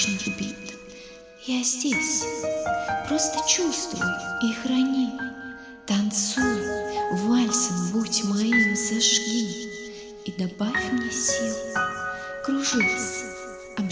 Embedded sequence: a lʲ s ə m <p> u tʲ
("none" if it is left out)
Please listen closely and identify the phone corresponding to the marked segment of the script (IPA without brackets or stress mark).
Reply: b